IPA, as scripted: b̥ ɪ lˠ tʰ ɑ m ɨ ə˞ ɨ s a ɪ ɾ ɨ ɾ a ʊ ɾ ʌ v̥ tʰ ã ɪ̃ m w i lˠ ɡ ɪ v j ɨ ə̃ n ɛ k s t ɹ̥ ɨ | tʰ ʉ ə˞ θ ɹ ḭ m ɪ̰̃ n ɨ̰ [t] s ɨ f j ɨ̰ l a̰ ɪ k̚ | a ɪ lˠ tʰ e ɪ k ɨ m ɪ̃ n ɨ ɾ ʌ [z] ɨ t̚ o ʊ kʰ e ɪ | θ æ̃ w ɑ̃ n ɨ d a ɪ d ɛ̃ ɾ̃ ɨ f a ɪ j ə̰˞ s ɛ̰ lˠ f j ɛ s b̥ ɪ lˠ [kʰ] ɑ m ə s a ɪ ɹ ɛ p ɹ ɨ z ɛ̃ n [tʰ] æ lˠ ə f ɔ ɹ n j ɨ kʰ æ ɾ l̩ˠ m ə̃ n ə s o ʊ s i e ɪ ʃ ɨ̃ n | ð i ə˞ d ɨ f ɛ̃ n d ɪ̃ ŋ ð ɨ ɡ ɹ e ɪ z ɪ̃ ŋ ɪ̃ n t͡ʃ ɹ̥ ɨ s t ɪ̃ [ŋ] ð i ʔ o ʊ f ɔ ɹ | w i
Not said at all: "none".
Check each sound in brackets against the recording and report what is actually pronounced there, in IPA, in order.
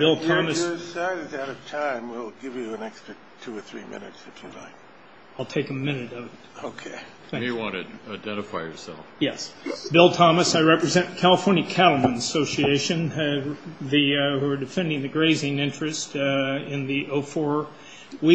t, v, tʰ, kʰ, n

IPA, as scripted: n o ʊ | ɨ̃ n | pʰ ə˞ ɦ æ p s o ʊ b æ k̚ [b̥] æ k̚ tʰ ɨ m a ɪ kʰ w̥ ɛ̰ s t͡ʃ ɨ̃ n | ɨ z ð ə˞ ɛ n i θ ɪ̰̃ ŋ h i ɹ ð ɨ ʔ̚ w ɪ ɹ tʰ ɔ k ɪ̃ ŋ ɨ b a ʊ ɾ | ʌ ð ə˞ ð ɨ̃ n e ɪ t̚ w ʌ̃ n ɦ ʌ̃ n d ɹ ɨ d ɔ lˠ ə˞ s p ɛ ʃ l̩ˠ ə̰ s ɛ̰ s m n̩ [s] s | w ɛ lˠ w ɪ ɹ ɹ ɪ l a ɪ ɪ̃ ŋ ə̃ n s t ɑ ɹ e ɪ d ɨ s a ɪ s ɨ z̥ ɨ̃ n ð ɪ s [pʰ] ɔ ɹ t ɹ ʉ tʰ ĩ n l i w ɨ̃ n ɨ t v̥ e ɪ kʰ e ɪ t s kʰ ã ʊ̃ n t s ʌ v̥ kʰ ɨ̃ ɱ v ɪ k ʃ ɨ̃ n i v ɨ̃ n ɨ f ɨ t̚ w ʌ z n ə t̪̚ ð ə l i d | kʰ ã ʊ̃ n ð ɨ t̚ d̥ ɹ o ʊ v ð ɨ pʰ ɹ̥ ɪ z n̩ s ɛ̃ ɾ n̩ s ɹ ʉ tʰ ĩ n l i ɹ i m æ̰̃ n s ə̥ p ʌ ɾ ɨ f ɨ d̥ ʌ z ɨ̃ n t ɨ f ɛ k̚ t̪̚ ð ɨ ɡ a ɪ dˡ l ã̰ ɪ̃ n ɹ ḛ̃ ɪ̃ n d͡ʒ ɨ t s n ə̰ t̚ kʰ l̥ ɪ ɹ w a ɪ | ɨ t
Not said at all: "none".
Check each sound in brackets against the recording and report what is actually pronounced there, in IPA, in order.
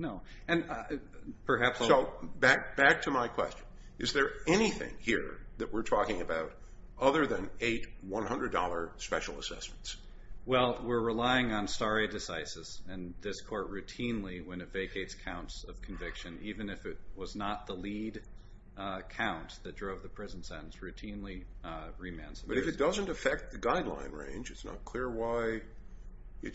b̥, t, kʰ

